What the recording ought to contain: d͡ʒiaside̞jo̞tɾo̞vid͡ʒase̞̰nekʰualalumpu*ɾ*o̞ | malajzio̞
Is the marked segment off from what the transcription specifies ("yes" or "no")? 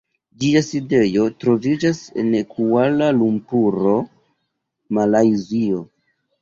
no